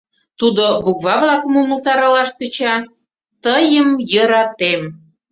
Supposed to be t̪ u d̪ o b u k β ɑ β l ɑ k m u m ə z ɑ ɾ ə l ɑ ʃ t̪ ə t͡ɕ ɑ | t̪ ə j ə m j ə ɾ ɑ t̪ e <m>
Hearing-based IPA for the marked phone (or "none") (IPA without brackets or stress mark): m